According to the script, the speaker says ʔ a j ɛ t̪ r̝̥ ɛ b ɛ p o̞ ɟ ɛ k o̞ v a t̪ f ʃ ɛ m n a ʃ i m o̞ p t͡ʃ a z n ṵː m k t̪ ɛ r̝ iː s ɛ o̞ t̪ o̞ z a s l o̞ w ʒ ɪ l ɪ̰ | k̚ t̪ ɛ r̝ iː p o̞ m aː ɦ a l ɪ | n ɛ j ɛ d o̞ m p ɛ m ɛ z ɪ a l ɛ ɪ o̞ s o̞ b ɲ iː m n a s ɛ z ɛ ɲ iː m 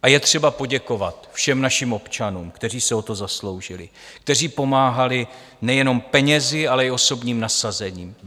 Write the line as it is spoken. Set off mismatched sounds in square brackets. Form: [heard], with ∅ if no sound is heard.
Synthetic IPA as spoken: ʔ a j ɛ t̪ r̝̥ ɛ b [a] p o̞ ɟ ɛ k o̞ v a t̪ f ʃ ɛ m n a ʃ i m o̞ p t͡ʃ a [∅] n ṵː m k t̪ ɛ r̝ iː s ɛ o̞ t̪ o̞ z a s l o̞ w ʒ ɪ l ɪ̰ | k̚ t̪ ɛ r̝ iː p o̞ m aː ɦ a l ɪ | n ɛ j ɛ [n] o̞ m p ɛ [ɲ] ɛ z ɪ a l ɛ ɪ o̞ s o̞ b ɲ iː m n a s [a] z ɛ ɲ iː m